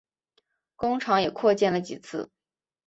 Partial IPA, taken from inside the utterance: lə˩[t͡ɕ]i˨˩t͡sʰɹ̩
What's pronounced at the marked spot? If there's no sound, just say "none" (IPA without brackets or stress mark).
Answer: t͡ɕ